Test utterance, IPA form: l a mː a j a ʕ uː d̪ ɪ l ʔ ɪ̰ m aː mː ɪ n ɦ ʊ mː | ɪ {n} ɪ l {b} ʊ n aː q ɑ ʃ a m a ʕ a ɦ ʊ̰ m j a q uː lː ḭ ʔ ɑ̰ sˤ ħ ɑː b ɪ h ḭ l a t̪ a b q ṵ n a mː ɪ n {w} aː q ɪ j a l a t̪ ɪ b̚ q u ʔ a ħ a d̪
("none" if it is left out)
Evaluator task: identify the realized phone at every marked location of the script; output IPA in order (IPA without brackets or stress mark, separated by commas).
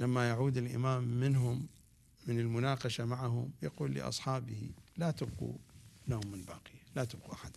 n, m, b